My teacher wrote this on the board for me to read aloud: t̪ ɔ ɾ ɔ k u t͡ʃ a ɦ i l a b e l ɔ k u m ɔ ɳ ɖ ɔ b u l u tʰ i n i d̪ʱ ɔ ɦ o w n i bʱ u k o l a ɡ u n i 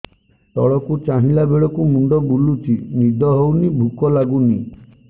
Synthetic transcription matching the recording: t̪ ɔ ɭ ɔ k u t͡ʃ a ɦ i l a b e ɭ ɔ k u m u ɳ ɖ ɔ b u l u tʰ i n i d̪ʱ ɔ ɦ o w n i bʱ u k ɔ l a ɡ u n i